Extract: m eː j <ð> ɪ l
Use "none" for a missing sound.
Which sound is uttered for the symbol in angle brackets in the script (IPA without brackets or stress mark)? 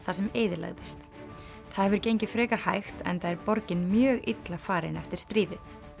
ð